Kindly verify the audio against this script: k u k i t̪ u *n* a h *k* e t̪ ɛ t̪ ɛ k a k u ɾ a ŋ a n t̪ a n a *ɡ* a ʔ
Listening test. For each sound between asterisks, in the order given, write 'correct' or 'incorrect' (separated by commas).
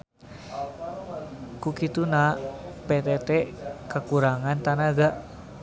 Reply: correct, incorrect, correct